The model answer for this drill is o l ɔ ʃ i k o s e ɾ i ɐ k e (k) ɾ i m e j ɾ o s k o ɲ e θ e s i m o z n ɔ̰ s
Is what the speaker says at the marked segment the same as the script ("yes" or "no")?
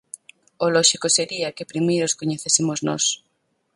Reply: no